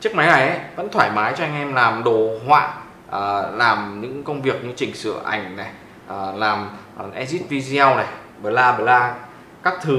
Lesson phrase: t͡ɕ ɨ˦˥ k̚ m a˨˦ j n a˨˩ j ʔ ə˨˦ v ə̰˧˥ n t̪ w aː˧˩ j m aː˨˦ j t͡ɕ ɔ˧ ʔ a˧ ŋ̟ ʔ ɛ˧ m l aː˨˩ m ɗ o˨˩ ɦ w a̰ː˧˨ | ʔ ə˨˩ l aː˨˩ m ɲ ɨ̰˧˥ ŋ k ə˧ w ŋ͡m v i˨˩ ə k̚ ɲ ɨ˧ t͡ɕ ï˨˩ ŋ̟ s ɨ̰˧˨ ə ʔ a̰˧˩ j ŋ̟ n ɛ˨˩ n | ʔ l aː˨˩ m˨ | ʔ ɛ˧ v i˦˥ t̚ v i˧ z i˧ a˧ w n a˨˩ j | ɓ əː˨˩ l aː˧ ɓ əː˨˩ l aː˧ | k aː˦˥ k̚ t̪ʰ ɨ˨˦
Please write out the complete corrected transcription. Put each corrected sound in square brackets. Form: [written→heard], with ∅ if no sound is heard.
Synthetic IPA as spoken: t͡ɕ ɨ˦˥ k̚ m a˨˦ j n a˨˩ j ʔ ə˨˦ v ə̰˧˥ n [t̪→t̪ʰ] w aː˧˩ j m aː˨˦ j t͡ɕ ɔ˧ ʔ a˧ ŋ̟ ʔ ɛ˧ m l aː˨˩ m ɗ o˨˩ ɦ w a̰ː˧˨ | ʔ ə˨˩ l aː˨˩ m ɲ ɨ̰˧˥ ŋ k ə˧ w ŋ͡m v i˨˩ ə k̚ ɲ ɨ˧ t͡ɕ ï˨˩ ŋ̟ s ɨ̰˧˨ ə ʔ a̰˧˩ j ŋ̟ n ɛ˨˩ [n→∅] | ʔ l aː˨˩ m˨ | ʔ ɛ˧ [v→z] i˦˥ t̚ v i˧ z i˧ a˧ w n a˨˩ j | ɓ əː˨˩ l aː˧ ɓ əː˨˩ l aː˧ | k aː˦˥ k̚ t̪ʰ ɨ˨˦